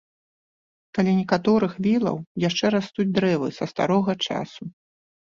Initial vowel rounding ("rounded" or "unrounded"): unrounded